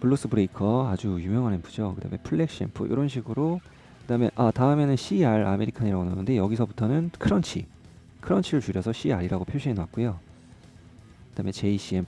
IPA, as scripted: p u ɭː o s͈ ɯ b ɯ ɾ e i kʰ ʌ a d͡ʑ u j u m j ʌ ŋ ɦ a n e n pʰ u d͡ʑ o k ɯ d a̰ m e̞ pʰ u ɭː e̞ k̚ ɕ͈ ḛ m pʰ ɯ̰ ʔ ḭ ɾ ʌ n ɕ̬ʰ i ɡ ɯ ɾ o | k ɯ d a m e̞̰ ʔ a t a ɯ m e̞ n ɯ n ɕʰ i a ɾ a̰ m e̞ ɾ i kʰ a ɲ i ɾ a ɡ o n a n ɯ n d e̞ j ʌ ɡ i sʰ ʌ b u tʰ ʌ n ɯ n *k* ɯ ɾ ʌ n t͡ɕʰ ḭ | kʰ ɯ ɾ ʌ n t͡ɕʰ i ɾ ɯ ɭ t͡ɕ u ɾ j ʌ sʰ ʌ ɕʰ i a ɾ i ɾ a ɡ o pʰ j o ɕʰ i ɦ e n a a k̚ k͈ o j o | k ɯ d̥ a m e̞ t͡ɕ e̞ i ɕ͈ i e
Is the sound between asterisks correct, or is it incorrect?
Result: incorrect